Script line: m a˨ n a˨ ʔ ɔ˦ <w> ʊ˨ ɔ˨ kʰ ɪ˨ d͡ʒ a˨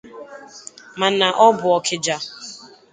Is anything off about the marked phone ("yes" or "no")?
yes